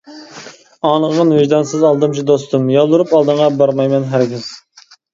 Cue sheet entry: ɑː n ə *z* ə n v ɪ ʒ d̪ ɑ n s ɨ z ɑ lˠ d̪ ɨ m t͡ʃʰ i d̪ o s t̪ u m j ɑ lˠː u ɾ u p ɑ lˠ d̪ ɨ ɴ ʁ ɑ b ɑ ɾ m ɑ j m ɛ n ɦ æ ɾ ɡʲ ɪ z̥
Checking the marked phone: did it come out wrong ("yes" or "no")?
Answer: yes